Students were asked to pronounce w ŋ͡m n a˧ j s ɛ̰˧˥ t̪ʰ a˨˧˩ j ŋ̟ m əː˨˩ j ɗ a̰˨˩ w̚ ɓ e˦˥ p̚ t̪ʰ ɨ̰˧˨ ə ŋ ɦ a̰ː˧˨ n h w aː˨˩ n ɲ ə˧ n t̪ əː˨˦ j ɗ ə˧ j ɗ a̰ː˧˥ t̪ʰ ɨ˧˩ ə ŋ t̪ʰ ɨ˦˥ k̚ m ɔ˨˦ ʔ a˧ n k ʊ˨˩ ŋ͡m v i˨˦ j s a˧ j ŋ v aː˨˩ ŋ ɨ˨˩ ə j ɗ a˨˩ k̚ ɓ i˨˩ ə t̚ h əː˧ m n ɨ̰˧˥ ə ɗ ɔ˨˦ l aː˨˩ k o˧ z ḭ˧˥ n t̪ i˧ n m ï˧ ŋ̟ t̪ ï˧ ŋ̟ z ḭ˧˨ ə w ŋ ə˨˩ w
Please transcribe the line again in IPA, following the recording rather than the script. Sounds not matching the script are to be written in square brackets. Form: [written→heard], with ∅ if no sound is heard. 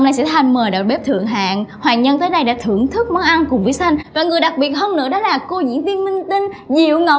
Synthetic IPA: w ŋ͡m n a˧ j s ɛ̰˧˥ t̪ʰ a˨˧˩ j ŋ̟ m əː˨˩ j ɗ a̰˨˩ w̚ ɓ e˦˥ p̚ t̪ʰ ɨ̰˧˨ ə ŋ ɦ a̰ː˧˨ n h w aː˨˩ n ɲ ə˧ n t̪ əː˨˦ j ɗ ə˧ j ɗ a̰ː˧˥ t̪ʰ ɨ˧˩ ə ŋ t̪ʰ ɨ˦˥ k̚ m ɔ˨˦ ʔ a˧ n k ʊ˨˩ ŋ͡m v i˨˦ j s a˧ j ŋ v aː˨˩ ŋ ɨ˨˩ ə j ɗ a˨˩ k̚ ɓ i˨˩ ə t̚ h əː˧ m n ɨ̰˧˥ ə ɗ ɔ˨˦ l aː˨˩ k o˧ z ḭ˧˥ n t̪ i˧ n m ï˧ ŋ̟ t̪ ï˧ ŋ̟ z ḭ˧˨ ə w ŋ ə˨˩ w